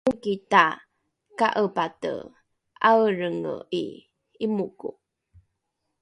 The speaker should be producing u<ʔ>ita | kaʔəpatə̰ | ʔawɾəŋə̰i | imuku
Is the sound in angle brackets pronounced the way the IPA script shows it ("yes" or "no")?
no